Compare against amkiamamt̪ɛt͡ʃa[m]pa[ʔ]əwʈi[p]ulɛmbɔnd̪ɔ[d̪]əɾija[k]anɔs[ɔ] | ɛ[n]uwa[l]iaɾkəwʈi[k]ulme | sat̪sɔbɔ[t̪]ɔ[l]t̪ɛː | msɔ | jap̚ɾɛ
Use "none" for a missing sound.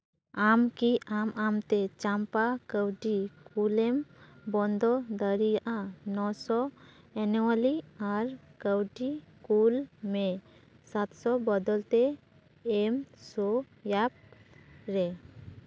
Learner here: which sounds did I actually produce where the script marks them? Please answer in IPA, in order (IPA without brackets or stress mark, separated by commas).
m, k, k, d̪, ʔ, ɔ, n, l, k, d̪, l